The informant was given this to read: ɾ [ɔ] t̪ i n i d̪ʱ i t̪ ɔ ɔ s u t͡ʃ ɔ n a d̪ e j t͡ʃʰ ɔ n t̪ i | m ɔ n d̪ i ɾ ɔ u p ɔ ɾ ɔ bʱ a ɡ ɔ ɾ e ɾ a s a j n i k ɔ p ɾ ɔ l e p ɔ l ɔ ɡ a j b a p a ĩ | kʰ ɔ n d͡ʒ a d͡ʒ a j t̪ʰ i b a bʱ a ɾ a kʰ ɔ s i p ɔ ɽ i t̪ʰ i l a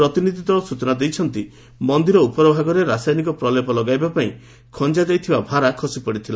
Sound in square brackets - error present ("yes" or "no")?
no